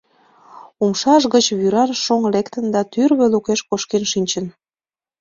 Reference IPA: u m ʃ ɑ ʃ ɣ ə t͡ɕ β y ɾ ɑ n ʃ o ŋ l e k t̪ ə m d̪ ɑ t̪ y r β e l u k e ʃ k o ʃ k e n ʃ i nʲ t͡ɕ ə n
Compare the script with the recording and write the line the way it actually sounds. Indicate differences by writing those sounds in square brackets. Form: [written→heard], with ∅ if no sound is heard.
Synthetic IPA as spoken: u m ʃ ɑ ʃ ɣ ə t͡ɕ β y ɾ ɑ n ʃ o ŋ l e k t̪ ə [m→n] d̪ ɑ t̪ y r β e l u k e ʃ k o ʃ k e n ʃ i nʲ t͡ɕ ə n